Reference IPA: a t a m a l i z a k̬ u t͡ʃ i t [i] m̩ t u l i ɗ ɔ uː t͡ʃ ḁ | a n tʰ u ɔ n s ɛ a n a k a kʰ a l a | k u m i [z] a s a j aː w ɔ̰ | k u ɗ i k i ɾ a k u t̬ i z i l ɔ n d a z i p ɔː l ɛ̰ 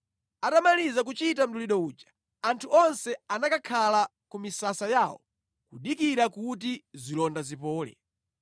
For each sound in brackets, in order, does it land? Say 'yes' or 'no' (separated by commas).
no, no